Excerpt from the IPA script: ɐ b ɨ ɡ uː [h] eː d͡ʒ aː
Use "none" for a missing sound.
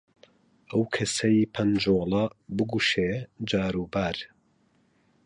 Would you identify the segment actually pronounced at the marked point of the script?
ʃ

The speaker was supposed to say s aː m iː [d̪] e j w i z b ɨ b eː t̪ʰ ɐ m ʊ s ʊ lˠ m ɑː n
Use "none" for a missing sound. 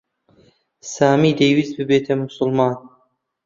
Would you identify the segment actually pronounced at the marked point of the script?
d̪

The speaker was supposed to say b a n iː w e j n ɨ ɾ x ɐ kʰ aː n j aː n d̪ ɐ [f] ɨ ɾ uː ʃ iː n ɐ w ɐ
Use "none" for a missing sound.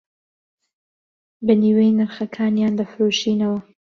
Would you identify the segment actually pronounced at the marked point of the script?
f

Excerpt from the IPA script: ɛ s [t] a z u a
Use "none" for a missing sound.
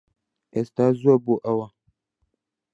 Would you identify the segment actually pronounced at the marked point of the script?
t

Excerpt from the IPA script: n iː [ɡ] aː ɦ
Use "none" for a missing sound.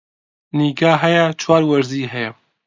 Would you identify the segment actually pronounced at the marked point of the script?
ɡ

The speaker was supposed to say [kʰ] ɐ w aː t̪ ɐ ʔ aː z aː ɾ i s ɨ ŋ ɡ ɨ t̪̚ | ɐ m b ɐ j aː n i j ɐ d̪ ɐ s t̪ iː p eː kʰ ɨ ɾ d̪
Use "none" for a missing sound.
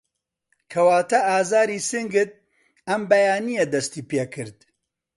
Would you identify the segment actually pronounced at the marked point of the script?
kʰ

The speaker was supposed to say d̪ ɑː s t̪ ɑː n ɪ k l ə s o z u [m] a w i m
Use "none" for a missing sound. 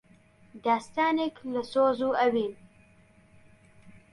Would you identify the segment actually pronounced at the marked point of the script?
none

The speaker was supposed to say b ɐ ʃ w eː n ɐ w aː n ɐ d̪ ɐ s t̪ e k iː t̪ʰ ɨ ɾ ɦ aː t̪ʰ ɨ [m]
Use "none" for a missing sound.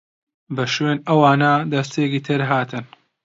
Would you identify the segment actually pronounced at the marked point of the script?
n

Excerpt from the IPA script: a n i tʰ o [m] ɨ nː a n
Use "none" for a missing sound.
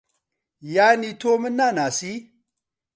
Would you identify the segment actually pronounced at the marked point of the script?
m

